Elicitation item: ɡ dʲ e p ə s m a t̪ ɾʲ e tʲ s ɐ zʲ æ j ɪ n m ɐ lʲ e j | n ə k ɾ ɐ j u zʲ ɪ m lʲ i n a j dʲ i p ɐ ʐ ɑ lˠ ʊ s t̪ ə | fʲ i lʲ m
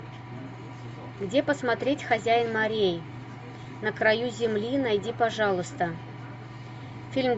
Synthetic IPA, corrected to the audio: ɡ dʲ e p ə s m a t̪ ɾʲ e tʲ x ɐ zʲ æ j ɪ n m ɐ ɾʲ e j | n ə k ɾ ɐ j u zʲ ɪ m lʲ i n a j dʲ i p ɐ ʐ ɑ lˠ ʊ s t̪ ə | fʲ i lʲ m